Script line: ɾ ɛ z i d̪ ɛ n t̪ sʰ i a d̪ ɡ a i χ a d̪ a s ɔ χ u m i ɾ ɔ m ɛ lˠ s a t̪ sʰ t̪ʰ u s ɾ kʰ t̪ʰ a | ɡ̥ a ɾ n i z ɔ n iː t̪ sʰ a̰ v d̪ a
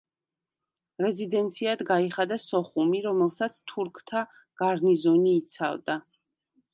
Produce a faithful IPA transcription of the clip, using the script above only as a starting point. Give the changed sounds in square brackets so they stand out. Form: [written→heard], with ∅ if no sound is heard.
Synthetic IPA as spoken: ɾ ɛ z i d̪ ɛ n t̪ sʰ i a d̪ ɡ a i χ a d̪ a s ɔ χ u m i ɾ ɔ m ɛ lˠ s a t̪ sʰ t̪ʰ u [s→∅] ɾ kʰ t̪ʰ a | ɡ̥ a ɾ n i z ɔ n iː t̪ sʰ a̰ v d̪ a